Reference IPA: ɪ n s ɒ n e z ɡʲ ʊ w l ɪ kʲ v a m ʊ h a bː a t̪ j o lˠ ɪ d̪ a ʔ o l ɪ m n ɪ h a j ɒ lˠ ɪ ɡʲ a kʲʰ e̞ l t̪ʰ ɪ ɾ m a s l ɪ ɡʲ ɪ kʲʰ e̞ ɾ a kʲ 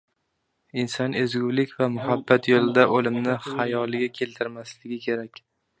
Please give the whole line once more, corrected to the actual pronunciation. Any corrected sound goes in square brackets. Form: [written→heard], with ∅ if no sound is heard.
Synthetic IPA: ɪ n s ɒ n e z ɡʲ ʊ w l ɪ kʲ v a m ʊ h a bː a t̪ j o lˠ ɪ d̪ a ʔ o l ɪ m n ɪ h a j ɒ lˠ ɪ ɡʲ a kʲʰ e̞ l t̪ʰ ɪ ɾ m a s l ɪ ɡʲ ɪ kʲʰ e̞ ɾ a kʲ